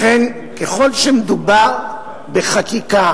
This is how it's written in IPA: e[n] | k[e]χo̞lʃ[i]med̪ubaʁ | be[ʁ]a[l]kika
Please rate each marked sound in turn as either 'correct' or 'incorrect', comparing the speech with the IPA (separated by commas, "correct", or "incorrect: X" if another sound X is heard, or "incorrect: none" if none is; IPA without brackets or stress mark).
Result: correct, correct, incorrect: e, incorrect: χ, incorrect: none